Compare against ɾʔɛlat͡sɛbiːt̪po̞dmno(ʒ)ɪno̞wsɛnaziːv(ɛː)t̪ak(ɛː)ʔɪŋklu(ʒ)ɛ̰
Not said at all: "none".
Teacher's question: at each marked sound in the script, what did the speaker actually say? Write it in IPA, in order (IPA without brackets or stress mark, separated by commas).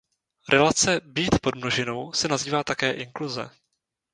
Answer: ʒ, aː, ɛː, z